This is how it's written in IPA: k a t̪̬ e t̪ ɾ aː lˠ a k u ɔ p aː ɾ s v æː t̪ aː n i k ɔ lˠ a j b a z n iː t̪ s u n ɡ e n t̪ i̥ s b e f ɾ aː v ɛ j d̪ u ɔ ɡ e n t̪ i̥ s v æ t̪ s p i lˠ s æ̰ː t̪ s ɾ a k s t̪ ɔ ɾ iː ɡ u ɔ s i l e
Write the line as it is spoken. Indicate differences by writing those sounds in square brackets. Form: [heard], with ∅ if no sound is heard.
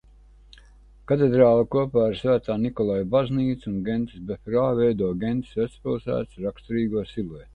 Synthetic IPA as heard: k a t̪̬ e [d̪] ɾ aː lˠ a k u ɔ p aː ɾ s v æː t̪ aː n i k ɔ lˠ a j b a z n iː t̪ s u n ɡ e n t̪ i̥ s b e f ɾ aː v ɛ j d̪ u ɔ ɡ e n t̪ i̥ s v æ t̪ s p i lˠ s æ̰ː t̪ s ɾ a k s t̪ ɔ ɾ iː ɡ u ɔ s i l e